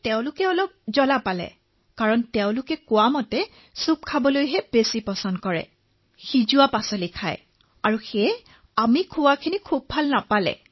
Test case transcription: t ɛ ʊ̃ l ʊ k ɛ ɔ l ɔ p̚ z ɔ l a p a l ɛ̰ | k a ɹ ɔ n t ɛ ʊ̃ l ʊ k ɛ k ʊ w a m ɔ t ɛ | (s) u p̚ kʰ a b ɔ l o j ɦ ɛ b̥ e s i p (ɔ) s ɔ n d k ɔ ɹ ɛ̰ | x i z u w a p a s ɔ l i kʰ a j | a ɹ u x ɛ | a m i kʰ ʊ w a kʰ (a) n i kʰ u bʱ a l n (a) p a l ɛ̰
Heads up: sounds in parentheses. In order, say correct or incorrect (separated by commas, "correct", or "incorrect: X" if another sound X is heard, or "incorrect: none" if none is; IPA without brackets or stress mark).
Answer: correct, correct, incorrect: i, correct